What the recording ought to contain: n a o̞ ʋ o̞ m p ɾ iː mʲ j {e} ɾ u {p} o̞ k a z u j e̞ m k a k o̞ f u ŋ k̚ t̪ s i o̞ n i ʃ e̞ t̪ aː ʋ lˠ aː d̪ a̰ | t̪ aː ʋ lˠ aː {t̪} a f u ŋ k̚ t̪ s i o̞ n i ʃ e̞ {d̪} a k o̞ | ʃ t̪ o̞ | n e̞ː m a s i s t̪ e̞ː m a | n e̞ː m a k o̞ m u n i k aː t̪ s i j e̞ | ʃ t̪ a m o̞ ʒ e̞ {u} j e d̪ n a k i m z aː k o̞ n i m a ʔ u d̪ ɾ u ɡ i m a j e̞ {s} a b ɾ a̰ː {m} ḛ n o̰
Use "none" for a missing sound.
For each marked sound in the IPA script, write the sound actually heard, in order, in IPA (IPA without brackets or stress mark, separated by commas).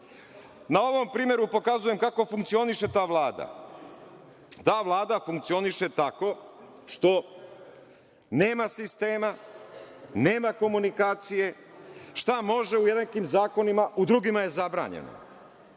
e, p, d̪, t̪, u, z, ɲ